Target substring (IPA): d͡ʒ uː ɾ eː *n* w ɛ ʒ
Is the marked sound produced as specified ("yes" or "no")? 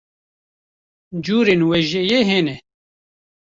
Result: yes